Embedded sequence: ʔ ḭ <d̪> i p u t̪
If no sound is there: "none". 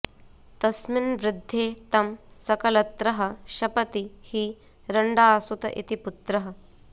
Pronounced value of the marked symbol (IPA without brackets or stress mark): t̪